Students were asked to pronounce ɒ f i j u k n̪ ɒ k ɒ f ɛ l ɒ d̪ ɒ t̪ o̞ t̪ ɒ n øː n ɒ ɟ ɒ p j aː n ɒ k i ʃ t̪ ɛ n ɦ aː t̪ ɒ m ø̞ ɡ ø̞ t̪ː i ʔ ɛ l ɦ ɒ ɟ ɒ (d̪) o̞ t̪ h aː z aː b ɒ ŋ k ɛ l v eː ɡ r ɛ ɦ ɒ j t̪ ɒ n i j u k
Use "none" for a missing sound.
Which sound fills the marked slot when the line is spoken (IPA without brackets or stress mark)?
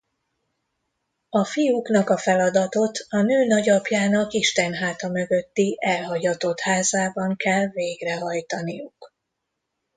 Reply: t̪